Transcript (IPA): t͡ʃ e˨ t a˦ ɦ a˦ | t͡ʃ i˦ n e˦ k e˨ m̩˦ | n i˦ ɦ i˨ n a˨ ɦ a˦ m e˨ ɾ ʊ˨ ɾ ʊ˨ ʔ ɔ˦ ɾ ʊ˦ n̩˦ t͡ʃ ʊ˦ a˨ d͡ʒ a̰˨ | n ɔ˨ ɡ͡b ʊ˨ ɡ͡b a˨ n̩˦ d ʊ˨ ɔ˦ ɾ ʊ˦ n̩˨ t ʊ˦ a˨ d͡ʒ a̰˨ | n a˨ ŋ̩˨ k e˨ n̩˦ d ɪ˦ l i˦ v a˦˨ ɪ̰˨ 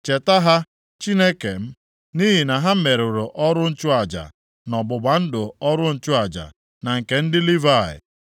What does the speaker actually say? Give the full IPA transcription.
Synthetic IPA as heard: t͡ʃ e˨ t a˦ ɦ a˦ | t͡ʃ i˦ n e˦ k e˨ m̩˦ | n i˦ ɦ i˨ n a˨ ɦ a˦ m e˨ ɾ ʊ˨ ɾ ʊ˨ ʔ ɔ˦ ɾ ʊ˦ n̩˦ t͡ʃ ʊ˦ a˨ d͡ʒ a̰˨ | n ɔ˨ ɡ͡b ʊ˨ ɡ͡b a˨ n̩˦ d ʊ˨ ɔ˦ ɾ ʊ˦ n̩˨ t͡ʃ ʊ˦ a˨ d͡ʒ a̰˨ | n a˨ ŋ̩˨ k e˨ n̩˦ d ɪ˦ l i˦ v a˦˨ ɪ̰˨

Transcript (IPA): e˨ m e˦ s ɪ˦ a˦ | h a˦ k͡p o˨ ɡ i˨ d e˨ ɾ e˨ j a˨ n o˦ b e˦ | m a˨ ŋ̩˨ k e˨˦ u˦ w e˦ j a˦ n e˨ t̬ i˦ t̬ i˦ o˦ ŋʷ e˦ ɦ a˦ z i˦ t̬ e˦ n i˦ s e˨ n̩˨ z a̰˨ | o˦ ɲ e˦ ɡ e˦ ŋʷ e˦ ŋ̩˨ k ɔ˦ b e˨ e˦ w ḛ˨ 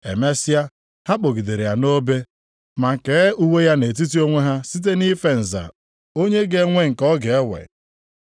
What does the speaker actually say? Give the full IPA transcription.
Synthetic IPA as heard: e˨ m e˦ s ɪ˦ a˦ | h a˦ k͡p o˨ ɡ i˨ d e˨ ɾ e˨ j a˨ n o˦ b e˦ | m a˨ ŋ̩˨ k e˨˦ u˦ w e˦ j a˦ n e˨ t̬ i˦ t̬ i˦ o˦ ŋʷ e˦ ɦ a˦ s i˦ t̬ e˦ n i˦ f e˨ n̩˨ z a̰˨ | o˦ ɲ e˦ ɡ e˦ ŋʷ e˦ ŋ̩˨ k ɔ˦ ɡ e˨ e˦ w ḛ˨

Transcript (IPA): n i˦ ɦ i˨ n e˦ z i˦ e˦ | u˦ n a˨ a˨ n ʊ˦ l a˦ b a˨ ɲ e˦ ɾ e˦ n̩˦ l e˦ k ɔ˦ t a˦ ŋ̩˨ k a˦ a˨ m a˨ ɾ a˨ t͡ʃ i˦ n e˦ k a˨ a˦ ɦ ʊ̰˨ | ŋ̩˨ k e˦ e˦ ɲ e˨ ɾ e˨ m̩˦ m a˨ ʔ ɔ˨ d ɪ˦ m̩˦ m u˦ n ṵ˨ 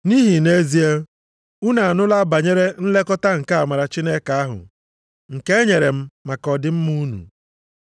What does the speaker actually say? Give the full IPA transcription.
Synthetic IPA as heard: n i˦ ɦ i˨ n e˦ z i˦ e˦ | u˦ n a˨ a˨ n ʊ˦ l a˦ b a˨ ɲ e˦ ɾ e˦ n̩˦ l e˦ k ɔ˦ t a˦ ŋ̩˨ k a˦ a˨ m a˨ ɾ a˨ t͡ʃ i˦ n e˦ k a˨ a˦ ɦ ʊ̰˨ | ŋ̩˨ k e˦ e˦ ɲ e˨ ɾ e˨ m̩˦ m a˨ k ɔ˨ d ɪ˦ m̩˦ m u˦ n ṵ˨

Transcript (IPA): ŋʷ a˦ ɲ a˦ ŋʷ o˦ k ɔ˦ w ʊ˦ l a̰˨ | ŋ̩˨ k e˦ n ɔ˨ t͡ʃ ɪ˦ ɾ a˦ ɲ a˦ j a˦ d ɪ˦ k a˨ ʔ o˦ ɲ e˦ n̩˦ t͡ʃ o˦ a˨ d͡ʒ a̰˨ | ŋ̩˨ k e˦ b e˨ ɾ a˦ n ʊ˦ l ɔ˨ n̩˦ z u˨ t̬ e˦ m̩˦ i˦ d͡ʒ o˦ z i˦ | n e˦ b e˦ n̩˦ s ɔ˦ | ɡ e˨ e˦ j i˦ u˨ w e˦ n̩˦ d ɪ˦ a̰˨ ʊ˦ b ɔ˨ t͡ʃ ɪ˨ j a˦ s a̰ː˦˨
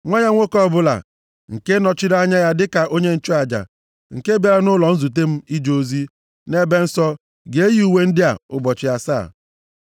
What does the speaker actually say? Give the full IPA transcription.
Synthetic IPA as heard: ŋʷ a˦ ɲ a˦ ŋʷ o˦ k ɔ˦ b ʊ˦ l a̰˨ | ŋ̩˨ k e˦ n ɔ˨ t͡ʃ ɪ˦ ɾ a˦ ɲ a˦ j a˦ d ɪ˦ k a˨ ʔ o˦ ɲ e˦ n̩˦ t͡ʃ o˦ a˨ d͡ʒ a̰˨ | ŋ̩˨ k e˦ b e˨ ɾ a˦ n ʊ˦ l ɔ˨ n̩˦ z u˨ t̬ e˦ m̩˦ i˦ d͡ʒ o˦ z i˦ | n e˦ b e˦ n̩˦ s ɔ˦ | ɡ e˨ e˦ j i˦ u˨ w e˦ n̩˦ d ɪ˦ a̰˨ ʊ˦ b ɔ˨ t͡ʃ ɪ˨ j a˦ s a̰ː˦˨

